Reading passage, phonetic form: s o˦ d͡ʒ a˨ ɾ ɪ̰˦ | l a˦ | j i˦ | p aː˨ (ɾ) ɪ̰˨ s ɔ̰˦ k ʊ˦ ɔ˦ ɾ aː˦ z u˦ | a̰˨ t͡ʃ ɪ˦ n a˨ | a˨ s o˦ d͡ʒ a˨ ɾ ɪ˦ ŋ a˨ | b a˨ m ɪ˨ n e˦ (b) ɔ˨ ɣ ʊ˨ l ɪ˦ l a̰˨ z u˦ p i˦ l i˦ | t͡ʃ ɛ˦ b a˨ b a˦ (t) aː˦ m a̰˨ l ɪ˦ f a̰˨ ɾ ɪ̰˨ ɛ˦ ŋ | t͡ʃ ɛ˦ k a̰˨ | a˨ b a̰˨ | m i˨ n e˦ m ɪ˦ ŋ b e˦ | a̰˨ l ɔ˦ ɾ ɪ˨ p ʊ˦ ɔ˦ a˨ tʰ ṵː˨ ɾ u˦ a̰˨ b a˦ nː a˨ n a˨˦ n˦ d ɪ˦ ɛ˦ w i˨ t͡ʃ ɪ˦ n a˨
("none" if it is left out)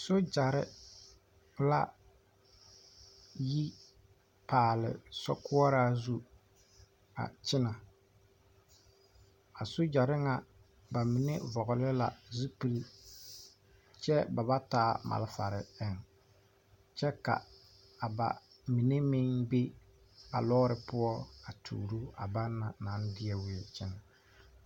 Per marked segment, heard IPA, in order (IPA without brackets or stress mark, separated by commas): l, v, t